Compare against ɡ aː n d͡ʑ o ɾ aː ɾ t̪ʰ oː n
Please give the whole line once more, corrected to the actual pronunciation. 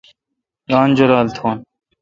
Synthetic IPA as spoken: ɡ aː n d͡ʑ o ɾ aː l t̪ʰ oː n